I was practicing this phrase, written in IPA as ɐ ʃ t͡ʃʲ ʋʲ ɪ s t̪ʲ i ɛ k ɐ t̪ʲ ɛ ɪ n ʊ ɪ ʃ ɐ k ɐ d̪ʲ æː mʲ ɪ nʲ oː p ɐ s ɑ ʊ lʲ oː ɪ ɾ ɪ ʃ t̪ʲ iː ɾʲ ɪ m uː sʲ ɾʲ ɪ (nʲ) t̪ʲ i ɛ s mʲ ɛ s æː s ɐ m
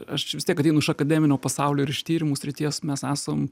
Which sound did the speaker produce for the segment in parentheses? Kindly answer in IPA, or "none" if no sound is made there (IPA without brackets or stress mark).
none